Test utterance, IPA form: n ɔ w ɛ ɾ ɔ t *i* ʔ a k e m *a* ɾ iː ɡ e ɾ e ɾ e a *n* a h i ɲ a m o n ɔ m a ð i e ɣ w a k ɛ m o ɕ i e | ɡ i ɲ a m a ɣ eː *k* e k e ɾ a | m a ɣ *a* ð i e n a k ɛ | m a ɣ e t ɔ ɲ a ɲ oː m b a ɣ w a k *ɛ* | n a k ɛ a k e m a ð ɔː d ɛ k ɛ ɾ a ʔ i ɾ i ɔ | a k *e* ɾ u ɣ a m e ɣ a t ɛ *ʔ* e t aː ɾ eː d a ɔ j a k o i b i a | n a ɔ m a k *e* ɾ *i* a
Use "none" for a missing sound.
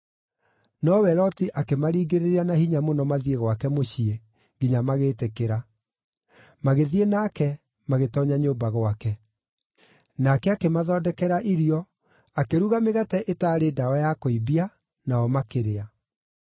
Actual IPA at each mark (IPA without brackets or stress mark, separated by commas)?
i, a, n, t, e, ɛ, e, ʔ, e, e